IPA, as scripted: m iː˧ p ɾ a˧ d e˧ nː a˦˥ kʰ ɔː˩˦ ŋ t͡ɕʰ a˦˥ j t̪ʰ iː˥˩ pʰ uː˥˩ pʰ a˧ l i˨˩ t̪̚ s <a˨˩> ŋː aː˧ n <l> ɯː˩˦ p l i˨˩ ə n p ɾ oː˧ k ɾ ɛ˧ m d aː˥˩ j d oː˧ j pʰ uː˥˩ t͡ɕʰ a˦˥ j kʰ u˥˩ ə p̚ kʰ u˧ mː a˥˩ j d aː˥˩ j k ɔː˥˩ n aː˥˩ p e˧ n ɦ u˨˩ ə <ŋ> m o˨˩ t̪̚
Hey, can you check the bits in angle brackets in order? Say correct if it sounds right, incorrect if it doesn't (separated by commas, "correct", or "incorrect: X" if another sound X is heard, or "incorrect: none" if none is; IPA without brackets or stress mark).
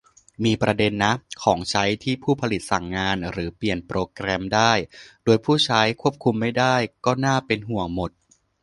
correct, incorrect: ɾ, correct